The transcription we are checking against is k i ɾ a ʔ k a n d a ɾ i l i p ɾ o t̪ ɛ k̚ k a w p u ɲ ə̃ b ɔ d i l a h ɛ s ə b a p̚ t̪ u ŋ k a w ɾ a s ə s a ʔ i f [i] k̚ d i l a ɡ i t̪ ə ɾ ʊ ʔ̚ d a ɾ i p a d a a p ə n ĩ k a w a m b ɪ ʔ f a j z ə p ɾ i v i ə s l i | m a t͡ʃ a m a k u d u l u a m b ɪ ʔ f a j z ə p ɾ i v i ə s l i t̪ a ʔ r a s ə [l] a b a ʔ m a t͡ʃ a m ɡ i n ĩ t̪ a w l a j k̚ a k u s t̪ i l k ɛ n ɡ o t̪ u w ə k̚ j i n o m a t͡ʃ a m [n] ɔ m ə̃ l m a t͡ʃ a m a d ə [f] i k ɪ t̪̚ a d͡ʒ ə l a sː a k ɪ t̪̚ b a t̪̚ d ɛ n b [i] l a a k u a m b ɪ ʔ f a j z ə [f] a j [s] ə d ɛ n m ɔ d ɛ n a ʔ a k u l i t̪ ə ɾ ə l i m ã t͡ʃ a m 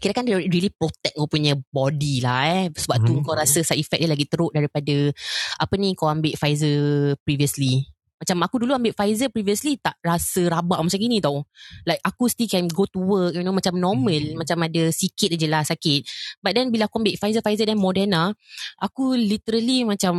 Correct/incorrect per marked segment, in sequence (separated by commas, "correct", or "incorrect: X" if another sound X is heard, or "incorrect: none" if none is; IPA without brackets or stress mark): incorrect: ɛ, incorrect: ɾ, correct, incorrect: s, correct, correct, incorrect: z